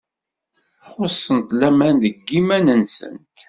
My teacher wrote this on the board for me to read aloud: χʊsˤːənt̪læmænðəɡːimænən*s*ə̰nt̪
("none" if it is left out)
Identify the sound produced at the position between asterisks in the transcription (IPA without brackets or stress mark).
s